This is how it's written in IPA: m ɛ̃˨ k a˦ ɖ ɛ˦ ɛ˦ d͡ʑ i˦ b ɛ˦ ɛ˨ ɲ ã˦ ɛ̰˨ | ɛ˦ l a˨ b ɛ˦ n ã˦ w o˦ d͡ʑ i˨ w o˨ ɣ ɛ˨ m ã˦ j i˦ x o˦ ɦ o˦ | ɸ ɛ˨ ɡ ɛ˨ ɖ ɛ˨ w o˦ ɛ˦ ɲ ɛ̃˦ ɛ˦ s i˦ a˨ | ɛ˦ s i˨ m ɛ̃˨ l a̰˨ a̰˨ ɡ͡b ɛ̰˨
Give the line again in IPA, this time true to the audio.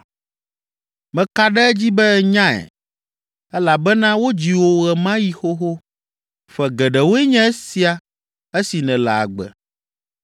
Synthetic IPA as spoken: m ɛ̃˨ k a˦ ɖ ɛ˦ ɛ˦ d͡ʑ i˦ b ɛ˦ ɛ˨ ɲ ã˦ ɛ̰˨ | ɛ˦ l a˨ b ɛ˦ n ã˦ w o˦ d͡ʑ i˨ w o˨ ɣ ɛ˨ m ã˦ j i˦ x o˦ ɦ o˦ | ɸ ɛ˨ ɡ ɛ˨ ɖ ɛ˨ w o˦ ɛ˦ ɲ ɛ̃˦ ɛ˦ s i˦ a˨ | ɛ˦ s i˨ n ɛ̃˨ l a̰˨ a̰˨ ɡ͡b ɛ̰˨

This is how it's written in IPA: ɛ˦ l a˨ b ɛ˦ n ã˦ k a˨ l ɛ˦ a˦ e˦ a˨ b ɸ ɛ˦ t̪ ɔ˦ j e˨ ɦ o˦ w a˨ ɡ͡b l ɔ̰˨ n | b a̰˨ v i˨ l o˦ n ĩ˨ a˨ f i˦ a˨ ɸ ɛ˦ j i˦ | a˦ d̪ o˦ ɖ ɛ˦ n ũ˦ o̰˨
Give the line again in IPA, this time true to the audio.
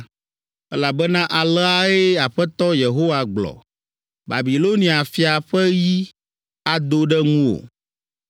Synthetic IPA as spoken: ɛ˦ l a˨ b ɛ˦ n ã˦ ʔ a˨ l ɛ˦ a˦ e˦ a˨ ɸ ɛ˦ t̪ ɔ˦ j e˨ ɦ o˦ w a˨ ɡ͡b l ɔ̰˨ | b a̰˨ b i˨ l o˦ n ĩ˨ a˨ f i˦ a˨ ɸ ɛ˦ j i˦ | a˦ d̪ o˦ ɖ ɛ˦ ŋ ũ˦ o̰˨

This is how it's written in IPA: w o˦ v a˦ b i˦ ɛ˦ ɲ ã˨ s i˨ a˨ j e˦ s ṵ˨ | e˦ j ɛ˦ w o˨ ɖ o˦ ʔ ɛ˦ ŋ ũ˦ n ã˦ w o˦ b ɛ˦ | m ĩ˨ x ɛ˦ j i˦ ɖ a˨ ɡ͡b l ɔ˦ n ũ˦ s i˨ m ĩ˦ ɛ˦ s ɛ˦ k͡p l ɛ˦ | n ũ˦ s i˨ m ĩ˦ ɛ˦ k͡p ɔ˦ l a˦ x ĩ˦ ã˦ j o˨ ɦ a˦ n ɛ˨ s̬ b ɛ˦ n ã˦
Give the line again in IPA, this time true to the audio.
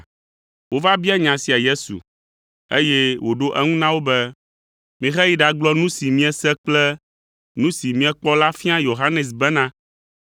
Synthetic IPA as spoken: w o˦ v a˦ b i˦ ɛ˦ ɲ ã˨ s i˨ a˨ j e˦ s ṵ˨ | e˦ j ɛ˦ w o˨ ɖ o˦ ʔ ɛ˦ ŋ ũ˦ n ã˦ w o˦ b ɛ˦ | m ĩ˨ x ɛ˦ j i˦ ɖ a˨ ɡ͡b l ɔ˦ n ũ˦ s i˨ m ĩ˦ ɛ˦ s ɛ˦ k͡p l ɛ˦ | n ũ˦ s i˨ m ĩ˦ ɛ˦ k͡p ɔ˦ l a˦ f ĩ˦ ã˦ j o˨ ɦ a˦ n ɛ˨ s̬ b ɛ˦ n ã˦

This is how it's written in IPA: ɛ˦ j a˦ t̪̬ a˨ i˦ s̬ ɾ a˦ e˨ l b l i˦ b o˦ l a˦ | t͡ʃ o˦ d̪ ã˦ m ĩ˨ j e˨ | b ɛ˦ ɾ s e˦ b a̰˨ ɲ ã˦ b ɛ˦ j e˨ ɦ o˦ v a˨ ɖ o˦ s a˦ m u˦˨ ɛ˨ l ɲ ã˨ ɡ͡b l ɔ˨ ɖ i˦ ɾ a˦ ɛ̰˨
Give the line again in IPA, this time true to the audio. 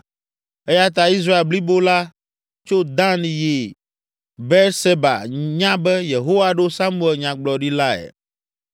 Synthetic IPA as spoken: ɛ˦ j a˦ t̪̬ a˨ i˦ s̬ ɾ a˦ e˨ l b l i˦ b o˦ l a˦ | t͡ʃ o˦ d̪ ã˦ n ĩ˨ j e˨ | b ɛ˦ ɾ s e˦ b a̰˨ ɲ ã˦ b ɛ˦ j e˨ ɦ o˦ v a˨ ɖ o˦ s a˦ m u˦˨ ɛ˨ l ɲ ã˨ ɡ͡b l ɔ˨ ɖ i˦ l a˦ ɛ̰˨

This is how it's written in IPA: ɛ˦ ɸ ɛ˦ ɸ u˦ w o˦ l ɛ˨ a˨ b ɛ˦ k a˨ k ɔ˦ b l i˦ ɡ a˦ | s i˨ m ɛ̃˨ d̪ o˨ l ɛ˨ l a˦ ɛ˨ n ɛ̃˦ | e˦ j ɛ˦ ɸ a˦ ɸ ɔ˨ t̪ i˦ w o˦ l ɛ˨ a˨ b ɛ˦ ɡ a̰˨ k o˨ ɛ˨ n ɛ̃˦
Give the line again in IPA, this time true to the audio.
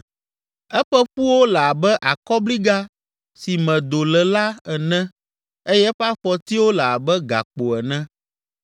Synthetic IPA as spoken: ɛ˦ ɸ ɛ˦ ɸ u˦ w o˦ l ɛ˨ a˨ b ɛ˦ ʔ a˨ k ɔ˦ b l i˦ ɡ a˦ | s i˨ m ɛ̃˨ d̪ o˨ l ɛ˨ l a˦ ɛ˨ n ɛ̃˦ | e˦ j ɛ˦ ɸ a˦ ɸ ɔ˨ t̪ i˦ w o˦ l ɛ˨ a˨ b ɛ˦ ɡ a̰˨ k͡p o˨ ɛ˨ n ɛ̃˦

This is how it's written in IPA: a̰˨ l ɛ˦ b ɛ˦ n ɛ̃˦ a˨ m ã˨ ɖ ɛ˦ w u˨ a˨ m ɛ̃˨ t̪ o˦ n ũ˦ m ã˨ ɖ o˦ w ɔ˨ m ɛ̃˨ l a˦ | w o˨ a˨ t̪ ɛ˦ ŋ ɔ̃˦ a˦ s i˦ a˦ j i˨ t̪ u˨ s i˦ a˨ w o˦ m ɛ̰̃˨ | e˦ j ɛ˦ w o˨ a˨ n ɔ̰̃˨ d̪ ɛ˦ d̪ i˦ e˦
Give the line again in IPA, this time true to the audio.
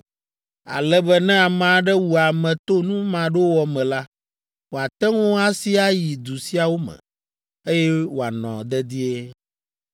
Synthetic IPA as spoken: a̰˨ l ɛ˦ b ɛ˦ n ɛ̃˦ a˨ m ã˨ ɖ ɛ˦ w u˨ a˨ m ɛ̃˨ t̪ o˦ n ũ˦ m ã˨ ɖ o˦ w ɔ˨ m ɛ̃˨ l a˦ | w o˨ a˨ t̪ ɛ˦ ŋ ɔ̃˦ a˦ s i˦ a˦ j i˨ d̪ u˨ s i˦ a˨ w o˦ m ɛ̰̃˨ | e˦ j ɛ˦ w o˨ a˨ n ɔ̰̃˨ d̪ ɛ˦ d̪ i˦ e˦

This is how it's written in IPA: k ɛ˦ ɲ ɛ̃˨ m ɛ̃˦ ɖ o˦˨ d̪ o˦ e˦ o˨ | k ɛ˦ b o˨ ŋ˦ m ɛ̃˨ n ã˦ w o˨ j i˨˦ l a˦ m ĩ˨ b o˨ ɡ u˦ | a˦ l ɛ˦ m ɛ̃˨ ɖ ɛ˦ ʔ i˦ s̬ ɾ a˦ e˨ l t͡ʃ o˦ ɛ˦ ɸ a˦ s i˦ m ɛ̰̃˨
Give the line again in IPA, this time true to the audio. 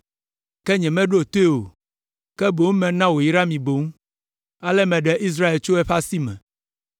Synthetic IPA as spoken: k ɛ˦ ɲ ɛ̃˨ m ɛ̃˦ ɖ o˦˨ t̪ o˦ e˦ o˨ | k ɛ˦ b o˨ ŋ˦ m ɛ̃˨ n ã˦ w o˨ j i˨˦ ɾ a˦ m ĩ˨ b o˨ ŋ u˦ | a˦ l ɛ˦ m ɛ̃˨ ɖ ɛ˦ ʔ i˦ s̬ ɾ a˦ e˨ l t͡ʃ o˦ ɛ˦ ɸ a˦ s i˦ m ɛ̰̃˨

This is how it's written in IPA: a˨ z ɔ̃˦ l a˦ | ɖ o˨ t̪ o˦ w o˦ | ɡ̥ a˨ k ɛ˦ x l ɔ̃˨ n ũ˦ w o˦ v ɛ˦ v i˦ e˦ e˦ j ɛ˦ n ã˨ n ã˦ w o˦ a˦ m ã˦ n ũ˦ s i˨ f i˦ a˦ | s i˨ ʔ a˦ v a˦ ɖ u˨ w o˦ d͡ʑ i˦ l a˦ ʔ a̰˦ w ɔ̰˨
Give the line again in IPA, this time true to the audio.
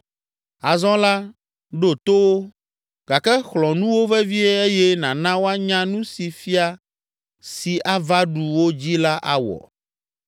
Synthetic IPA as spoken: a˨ z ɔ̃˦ l a˦ | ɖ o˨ t̪ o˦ w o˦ | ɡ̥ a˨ k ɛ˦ x l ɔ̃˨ n ũ˦ w o˦ v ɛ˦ v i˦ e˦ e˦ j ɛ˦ n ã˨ n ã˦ w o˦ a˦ ɲ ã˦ n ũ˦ s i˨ f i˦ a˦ | s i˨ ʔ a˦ v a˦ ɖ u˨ w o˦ d͡ʑ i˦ l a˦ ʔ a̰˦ w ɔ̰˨

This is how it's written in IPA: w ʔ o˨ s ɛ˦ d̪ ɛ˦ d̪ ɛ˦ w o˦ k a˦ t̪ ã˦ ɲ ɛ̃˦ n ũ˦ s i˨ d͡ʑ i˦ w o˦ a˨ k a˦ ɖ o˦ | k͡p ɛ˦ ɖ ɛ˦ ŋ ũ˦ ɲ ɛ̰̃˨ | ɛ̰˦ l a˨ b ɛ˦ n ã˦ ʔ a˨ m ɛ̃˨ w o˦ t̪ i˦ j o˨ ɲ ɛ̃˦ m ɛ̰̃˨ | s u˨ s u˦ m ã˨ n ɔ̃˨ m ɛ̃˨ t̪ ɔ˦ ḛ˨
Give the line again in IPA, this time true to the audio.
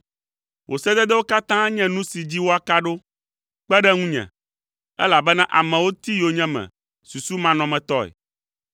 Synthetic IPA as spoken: w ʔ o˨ s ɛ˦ d̪ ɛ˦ d̪ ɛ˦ w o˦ k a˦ t̪ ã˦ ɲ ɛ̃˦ n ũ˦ s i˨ d͡ʑ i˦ w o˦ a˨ k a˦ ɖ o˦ | k͡p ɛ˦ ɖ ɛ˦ ŋ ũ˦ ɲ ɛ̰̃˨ | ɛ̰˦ l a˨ b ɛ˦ n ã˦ ʔ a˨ m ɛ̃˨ w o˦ t̪ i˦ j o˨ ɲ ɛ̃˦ m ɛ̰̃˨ | s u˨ s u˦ m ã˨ n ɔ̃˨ m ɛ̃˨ t̪ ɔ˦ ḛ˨

